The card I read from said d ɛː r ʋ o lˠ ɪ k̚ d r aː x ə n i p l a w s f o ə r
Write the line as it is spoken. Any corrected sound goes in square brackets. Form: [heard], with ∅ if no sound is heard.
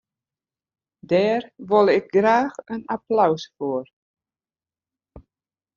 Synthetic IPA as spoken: d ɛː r ʋ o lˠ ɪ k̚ [ɡ] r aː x ə n [a] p l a w s f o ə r